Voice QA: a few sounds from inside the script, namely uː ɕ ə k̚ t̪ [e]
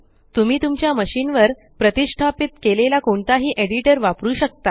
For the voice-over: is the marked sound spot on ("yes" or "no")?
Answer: no